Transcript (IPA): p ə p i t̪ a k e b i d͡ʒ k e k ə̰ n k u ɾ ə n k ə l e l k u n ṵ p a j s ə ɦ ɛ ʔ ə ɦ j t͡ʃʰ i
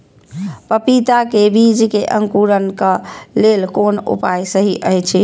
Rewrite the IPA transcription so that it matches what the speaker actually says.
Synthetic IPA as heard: p ə p i t̪ a k e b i d͡ʒ k e ʔ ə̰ ŋ k u ɾ ə n k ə l e l k o n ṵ p a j s ə ɦ i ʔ ə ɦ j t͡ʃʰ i